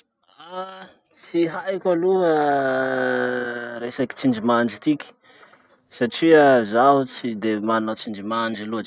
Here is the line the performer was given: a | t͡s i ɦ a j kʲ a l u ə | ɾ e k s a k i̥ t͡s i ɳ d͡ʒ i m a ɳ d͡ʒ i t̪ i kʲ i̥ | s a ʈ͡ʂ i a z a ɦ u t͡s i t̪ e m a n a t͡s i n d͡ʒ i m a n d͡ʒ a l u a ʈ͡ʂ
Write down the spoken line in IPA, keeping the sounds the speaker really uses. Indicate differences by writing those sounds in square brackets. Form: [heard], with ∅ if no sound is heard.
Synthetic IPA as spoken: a | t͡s i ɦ a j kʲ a l u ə | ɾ e [∅] s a k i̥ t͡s i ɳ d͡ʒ i m a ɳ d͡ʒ i t̪ i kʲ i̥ | s a ʈ͡ʂ i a z a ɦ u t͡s i [d̪] e m a n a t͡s i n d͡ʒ i m a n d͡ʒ [i] l u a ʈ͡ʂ